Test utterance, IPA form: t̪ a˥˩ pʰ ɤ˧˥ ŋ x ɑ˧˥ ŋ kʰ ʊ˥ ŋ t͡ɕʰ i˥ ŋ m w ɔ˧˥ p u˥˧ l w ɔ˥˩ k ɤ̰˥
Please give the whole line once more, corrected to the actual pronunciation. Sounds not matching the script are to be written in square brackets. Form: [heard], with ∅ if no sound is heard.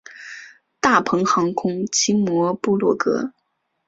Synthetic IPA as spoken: t̪ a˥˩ pʰ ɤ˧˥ ŋ x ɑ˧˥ ŋ kʰ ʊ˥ ŋ t͡ɕʰ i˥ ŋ m w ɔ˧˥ p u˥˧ l w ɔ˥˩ k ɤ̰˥